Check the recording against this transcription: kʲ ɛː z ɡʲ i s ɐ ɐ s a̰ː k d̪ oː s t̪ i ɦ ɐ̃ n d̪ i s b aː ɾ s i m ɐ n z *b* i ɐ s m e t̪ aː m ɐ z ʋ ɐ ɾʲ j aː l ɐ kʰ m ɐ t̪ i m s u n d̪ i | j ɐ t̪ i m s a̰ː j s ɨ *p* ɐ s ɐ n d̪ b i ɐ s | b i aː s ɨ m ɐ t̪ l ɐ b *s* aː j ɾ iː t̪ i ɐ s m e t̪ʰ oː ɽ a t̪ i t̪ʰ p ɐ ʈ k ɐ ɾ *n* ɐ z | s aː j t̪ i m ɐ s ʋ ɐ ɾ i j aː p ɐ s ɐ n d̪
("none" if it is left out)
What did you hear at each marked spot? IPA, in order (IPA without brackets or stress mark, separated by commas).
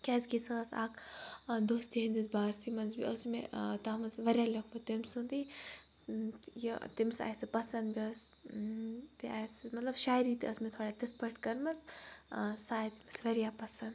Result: b, p, ʃ, m